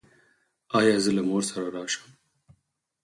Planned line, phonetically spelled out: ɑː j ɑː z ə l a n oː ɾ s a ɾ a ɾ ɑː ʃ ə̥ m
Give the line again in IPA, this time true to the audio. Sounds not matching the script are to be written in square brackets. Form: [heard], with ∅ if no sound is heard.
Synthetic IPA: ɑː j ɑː z ə l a [m] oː ɾ s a ɾ a ɾ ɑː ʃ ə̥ m